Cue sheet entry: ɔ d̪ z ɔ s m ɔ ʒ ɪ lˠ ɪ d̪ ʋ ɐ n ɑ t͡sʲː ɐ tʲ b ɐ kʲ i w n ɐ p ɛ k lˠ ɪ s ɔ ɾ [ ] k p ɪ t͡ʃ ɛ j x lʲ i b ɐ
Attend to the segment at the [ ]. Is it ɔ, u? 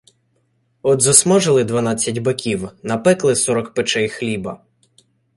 ɔ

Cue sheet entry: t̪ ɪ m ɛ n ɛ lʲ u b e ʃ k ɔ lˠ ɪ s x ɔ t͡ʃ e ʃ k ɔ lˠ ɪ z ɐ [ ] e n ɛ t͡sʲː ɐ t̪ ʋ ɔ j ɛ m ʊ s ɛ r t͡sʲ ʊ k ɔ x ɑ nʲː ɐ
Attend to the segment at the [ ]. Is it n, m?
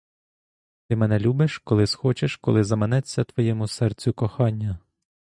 m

